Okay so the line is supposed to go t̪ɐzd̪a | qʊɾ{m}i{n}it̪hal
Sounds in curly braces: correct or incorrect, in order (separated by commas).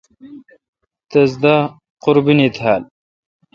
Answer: incorrect, correct